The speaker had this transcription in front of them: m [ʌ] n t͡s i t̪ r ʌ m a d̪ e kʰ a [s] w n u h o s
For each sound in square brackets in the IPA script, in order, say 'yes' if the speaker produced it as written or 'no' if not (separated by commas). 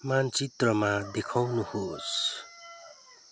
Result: no, no